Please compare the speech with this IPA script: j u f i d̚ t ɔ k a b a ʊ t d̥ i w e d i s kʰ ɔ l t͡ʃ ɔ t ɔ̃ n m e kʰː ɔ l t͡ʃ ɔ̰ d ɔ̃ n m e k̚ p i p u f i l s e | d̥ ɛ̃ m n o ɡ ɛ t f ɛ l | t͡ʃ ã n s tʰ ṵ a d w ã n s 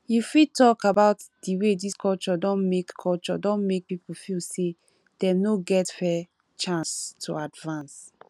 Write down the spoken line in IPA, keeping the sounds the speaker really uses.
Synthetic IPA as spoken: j u f i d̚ t ɔ k a b a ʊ t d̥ i w e d i s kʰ ɔ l t͡ʃ ɔ d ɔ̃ n m e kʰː ɔ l t͡ʃ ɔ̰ d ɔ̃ n m e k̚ p i p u f i l s e | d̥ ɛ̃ m n o ɡ ɛ t f ɛ | t͡ʃ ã n s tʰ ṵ a d v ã n s

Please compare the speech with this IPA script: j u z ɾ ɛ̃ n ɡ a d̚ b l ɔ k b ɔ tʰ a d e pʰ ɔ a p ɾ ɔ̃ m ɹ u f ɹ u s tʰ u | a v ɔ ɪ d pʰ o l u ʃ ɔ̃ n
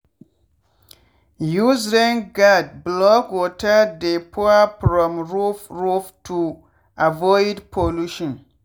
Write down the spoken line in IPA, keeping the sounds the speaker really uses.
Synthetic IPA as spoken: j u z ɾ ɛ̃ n ɡ a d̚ b l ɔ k w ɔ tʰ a d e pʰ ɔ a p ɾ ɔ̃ m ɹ u f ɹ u f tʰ u | a v ɔ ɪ d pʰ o l u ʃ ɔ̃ n

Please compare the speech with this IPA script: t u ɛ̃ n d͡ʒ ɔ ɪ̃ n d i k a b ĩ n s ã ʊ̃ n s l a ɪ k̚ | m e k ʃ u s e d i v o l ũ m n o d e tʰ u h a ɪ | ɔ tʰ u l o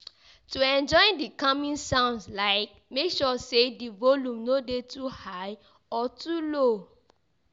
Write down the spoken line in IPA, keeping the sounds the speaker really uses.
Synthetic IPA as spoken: t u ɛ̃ n d͡ʒ ɔ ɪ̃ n d i k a m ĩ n s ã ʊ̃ n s l a ɪ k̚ | m e k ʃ ɔ s e d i v o l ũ m n o d e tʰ u h a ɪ | ɔ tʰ u l o

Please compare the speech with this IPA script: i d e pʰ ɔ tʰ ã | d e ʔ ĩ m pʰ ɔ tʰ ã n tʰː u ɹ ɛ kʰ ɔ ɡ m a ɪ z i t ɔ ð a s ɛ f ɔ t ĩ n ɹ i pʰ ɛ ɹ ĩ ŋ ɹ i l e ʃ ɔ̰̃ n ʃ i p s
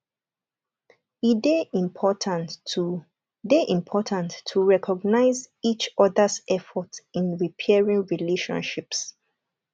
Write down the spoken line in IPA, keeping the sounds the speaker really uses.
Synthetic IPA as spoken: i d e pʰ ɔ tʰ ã | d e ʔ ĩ m pʰ ɔ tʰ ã n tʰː u ɹ ɛ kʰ ɔ ɡ n a ɪ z i t͡ʃ ɔ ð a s ɛ f ɔ t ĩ n ɹ i pʰ ɛ ɹ ĩ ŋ ɹ i l e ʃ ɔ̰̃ n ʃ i p s

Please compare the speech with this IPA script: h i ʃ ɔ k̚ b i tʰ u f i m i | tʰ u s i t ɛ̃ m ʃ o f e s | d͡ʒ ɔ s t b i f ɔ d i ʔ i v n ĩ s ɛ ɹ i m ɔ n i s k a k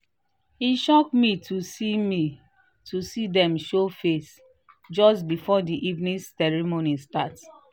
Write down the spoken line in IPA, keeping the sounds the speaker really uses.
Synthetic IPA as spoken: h i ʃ ɔ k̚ m i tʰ u s i m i | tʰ u s i d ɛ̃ m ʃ o f e s | d͡ʒ ɔ s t b i f ɔ d i ʔ i v n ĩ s ɛ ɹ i m o n i s t a t

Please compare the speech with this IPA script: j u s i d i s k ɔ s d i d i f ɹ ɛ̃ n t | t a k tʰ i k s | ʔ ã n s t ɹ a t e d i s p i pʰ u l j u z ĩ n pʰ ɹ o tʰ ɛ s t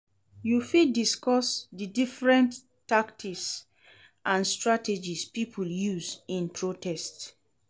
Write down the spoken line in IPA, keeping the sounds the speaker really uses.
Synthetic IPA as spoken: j u f i d i s k ɔ s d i d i f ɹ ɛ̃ n t | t a k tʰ i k s | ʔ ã n s t ɹ a t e d͡ʒ i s p i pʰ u l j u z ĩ n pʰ ɹ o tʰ ɛ s t

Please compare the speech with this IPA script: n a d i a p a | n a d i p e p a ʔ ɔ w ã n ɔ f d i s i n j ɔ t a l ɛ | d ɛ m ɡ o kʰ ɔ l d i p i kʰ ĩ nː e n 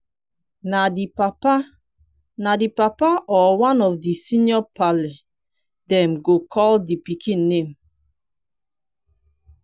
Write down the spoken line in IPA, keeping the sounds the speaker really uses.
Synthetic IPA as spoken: n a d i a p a | n a d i p a p a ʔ ɔ w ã n ɔ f d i s i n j ɔ p a l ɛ | d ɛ m ɡ o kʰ ɔ l d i p i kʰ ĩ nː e m

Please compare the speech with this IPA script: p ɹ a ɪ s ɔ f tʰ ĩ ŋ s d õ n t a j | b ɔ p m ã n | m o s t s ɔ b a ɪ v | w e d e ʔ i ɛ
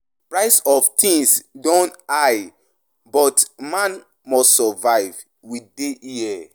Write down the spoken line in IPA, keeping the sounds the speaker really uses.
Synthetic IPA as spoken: p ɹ a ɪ s ɔ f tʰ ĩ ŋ s d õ n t a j | b ɔ t m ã n | m ɔ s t s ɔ v a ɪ v | w i d e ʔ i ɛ

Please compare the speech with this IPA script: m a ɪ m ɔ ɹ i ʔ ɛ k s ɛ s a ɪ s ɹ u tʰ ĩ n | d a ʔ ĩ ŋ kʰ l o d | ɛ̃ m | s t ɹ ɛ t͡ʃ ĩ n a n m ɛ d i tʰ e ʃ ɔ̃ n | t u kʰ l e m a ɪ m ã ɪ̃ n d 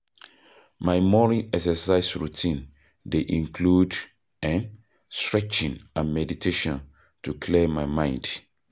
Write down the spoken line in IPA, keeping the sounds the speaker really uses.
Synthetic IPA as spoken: m a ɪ m ɔ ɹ i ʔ ɛ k s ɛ s a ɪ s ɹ u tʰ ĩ n | d e ʔ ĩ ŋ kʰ l u d | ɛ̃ n | s t ɹ ɛ t͡ʃ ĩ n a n m ɛ d i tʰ e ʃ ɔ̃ n | t u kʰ l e m a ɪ m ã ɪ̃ n d

